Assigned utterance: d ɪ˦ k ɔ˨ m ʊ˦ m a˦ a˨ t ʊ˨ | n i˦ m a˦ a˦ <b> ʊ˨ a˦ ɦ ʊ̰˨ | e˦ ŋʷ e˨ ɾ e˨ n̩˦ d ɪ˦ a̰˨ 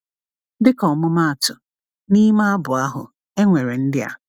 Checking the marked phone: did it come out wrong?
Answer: no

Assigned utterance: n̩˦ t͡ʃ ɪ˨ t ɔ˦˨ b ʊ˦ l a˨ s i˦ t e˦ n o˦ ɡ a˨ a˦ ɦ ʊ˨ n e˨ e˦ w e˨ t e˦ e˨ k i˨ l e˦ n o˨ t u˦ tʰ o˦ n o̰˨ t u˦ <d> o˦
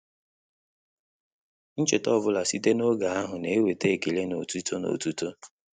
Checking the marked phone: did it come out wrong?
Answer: yes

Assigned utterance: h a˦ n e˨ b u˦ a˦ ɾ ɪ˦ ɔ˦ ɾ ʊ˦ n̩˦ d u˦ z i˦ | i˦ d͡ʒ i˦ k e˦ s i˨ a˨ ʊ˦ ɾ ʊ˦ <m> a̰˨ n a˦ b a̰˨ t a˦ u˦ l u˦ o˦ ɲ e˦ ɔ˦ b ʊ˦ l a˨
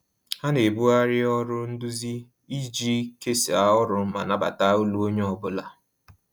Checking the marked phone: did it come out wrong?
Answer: no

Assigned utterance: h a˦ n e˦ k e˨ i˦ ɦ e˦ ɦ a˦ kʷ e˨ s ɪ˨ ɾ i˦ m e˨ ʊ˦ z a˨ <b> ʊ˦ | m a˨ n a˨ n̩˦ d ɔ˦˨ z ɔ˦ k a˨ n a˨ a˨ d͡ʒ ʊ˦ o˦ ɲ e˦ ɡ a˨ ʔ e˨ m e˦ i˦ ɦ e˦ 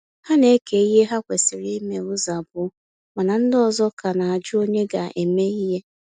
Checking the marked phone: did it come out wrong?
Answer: no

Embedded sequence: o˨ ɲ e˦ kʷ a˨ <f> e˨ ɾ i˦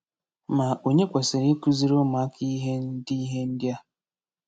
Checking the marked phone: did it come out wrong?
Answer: yes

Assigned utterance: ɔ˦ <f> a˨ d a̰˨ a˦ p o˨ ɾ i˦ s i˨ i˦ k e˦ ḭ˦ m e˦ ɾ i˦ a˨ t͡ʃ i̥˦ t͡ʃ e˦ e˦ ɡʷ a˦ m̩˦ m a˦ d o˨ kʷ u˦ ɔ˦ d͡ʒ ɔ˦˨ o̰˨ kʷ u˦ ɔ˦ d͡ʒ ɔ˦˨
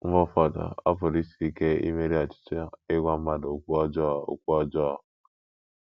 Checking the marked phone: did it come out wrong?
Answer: no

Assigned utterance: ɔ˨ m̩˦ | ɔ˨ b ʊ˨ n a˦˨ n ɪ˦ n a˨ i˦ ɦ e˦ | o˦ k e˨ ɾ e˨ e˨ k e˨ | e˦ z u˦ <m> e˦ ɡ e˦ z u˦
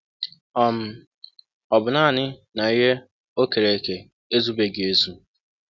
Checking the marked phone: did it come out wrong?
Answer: yes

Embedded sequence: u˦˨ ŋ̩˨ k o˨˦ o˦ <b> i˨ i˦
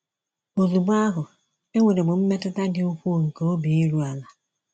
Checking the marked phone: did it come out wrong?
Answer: no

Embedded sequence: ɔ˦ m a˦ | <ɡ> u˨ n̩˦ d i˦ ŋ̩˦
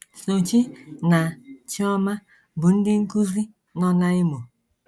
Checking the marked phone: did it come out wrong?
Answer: yes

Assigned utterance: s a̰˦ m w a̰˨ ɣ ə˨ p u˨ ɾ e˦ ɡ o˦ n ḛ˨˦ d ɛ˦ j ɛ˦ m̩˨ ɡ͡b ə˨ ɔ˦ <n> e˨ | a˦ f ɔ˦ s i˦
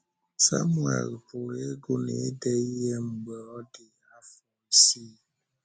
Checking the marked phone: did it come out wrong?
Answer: yes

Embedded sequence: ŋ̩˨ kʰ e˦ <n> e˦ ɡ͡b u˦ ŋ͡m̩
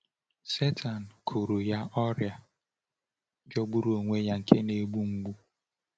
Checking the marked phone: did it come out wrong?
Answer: no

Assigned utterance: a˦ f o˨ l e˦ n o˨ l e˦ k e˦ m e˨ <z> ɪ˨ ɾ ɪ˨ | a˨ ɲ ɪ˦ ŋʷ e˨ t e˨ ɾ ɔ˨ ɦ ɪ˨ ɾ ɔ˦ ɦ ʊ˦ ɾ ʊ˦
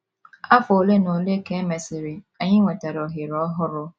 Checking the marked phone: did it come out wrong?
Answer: yes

